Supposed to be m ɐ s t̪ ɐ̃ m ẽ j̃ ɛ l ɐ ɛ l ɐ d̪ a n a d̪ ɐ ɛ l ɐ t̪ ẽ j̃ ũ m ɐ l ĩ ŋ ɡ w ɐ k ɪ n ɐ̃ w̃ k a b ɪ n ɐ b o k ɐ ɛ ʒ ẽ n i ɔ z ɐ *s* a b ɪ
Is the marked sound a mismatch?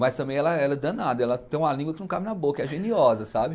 no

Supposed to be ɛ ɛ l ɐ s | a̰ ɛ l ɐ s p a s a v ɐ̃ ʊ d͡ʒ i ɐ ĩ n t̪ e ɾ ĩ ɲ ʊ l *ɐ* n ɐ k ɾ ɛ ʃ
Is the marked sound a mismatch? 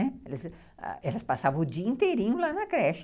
yes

